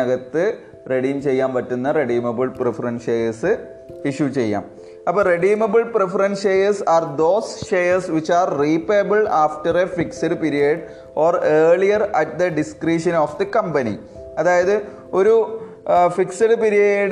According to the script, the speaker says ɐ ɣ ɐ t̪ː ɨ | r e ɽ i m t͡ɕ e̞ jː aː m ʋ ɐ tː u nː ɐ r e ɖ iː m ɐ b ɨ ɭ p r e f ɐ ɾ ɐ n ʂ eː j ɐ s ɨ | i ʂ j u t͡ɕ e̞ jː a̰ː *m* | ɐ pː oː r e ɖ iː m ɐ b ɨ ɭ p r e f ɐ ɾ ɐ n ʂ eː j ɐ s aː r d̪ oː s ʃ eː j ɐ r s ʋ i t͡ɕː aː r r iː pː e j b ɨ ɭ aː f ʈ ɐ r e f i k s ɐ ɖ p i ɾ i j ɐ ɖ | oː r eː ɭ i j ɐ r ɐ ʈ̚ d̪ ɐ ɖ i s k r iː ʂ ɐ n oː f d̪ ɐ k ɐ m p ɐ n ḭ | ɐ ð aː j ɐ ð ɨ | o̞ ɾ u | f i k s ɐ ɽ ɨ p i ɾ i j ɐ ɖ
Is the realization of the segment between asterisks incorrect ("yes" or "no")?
no